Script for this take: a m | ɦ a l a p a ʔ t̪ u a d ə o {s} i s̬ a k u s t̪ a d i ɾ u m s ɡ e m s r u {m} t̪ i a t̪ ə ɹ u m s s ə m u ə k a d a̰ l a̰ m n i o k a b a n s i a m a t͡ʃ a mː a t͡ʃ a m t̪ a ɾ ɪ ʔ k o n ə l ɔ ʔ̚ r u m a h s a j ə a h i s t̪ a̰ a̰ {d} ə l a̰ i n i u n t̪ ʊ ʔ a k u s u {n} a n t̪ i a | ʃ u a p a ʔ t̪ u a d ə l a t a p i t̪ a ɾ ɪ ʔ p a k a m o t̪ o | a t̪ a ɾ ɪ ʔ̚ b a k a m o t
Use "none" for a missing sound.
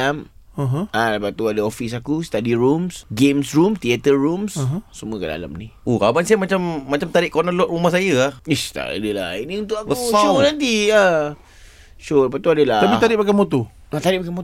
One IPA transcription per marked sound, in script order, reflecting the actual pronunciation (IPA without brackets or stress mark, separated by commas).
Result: f, m, d, n